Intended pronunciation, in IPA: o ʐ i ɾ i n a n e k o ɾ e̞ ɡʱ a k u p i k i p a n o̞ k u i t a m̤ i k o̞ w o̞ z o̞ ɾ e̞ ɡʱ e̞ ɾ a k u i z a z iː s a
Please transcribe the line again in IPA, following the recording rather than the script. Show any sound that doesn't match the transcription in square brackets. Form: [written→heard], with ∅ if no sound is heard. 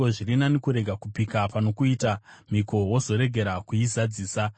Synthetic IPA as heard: o ʐ i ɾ i n a n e k [o→u] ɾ e̞ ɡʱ a k u p i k [i→a] p a n o̞ k u i t a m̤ i k o̞ w o̞ z o̞ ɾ e̞ ɡʱ e̞ ɾ a k u i z a [z→d͡z] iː s a

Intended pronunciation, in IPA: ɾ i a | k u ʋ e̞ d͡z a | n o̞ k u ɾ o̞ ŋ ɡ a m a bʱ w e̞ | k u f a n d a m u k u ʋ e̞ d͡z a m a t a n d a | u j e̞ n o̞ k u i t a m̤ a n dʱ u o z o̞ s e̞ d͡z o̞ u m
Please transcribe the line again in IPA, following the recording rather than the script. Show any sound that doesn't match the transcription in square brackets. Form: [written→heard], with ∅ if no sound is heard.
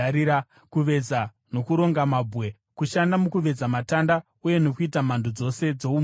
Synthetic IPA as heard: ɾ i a | k u ʋ e̞ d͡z a | n o̞ k u ɾ o̞ ŋ ɡ a m a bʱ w e̞ | k u [f→ʃ] a n d a m u k u ʋ e̞ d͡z a m a t a n d a | u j e̞ n o̞ k u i t a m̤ a n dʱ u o [z→d͡z] o̞ s e̞ d͡z o̞ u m

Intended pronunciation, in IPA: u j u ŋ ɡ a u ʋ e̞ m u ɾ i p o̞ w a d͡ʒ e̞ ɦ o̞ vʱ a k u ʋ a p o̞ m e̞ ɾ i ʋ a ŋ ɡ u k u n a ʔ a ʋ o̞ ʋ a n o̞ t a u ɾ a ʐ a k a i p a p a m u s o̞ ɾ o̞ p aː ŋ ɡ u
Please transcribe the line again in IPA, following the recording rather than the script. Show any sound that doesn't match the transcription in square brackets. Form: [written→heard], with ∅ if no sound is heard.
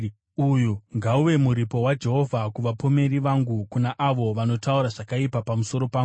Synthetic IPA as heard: u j u ŋ ɡ a u ʋ e̞ m u ɾ i p o̞ w a d͡ʒ e̞ ɦ o̞ vʱ a k u ʋ a p o̞ m e̞ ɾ i ʋ a ŋ ɡ u k u n a ʔ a ʋ o̞ ʋ a n o̞ t a u ɾ a ʐ a k a i p a p a m u s o̞ ɾ o̞ p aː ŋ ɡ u

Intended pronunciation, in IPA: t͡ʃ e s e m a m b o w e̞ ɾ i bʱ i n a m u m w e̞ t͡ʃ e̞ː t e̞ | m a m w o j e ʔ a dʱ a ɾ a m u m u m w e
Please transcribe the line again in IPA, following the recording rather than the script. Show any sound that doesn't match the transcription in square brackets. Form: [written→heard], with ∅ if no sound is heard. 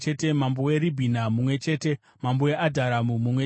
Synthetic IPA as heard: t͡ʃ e [s→t] e m a m b o w e̞ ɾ i bʱ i n a m u m w e̞ t͡ʃ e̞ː t e̞ | m a m [w→b] o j e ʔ a dʱ a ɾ a m u m u m w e

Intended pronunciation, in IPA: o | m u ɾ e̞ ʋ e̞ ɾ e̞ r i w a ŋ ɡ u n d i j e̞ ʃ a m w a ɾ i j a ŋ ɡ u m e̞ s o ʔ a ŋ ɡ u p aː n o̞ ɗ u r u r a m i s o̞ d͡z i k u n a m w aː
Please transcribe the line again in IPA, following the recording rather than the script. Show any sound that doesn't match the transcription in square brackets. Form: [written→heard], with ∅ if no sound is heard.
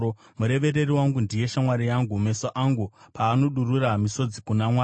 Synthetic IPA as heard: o | m u ɾ e̞ ʋ e̞ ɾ e̞ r i w a ŋ ɡ u n d i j e̞ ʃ a m w a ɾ i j a ŋ ɡ u m e̞ s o ʔ a ŋ ɡ u p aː n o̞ ɗ u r u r a m i s o̞ d͡z i k u n a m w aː

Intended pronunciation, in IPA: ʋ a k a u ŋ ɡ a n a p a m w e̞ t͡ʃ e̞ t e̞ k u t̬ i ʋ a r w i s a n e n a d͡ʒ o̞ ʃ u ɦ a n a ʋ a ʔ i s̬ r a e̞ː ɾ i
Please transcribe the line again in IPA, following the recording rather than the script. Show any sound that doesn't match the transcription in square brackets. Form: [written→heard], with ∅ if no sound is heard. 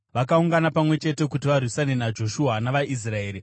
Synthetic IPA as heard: ʋ a k a u ŋ ɡ a n a p a m w e̞ t͡ʃ e̞ t e̞ k u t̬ i ʋ a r w i s a n e n a d͡ʒ o̞ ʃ u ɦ a n a ʋ a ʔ i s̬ r a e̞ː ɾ i

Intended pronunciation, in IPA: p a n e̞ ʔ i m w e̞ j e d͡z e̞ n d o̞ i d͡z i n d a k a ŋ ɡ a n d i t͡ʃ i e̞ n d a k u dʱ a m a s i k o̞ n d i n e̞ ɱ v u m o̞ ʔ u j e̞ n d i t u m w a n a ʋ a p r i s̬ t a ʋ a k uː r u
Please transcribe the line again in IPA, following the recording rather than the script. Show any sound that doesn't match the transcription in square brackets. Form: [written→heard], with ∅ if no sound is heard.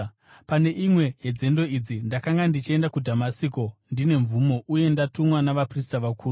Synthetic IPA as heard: p a n e̞ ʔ i m w e̞ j e d͡z e̞ n d o̞ i d͡z i n d a k a ŋ ɡ a n d i t͡ʃ i e̞ n d a k u dʱ a m a s i k o̞ n d i n e̞ ɱ v u m o̞ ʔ u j e̞ n d [i→a] t u m w a n a ʋ a p r i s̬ t a ʋ a k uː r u

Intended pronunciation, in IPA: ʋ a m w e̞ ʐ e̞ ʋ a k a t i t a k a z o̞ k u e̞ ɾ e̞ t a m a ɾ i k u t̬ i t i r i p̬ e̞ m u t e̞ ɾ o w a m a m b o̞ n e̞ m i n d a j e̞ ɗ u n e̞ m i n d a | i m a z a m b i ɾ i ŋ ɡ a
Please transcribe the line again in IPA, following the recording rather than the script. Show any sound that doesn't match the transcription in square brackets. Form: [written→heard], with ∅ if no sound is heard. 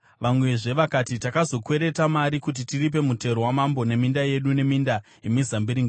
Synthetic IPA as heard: ʋ a m w e̞ ʐ e̞ ʋ a k a t i t a k a z o̞ k [u→w] e̞ ɾ e̞ t a m a ɾ i k u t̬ i t i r i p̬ e̞ m u t e̞ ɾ o w a m a m b o̞ n e̞ m i n d a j e̞ ɗ u n e̞ m i n d a | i m [a→i] z a m b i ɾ i ŋ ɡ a

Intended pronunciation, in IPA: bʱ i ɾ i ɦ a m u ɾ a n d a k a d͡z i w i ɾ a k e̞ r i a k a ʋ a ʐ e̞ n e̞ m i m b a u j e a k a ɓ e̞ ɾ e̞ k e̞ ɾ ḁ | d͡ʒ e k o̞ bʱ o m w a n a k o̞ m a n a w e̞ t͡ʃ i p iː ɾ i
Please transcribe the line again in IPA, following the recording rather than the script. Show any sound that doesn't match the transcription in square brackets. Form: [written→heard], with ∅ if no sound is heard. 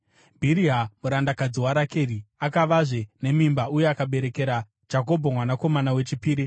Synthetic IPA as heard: bʱ i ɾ i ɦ a m u ɾ a n d a k a d͡z i w [i→a] ɾ a k e̞ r i a k a ʋ a ʐ e̞ n e̞ m i m b a u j e a k a ɓ e̞ ɾ e̞ k e̞ ɾ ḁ | d͡ʒ [e→a] k o̞ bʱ o m w a n a k o̞ m a n a w e̞ t͡ʃ i p iː ɾ i

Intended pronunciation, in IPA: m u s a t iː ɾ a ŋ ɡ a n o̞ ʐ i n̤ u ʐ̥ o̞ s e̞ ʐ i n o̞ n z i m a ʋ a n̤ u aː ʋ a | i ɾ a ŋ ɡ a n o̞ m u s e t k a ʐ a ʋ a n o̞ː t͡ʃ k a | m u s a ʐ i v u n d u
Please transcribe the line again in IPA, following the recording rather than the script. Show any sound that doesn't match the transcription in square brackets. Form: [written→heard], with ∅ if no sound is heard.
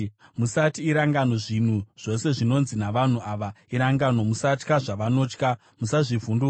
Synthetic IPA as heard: m u s a t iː ɾ a ŋ ɡ a n o̞ ʐ i n̤ u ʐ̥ o̞ s e̞ ʐ i n o̞ n z i [m→n] a ʋ a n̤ u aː ʋ a | i ɾ a ŋ ɡ a n o̞ m u s [e→a] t k a ʐ a ʋ a n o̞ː t͡ʃ k a | m u s a ʐ i v u n d u

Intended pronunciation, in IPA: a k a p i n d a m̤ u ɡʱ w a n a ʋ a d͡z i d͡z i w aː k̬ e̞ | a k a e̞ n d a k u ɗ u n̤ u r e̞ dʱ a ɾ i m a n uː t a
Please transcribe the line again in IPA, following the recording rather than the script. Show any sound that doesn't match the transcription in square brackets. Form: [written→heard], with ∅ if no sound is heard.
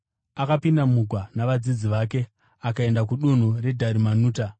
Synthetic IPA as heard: a k a p i n d a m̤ u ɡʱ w a n a ʋ a d͡z i d͡z i [w→ʋ] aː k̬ e̞ | a k a e̞ n d a k u ɗ u n̤ u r e̞ dʱ a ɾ i m a n uː t a

